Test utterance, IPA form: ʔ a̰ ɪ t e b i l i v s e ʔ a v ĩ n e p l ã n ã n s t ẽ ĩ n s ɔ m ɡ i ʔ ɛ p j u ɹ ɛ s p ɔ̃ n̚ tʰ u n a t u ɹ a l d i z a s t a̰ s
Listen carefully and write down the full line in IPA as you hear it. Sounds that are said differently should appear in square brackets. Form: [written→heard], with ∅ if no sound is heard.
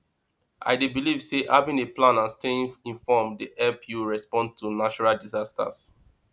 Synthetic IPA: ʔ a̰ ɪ [t→d] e b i l i v s e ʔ a v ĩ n e p l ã n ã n s t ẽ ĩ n [s→f] ɔ m [ɡ→d] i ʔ ɛ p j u ɹ ɛ s p ɔ̃ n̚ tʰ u n a [t→t͡ʃ] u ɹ a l d i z a s t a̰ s